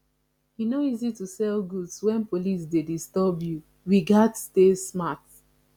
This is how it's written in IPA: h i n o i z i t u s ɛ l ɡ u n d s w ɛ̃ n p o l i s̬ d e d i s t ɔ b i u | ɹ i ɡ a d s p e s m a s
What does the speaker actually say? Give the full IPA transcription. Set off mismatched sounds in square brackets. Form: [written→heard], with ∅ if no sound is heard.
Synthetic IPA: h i n o i z i t u s ɛ l ɡ u [n→∅] d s w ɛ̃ n p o l i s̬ d e d i s t ɔ b [i→j] u | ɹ i ɡ a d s [p→t] e s m a [s→t]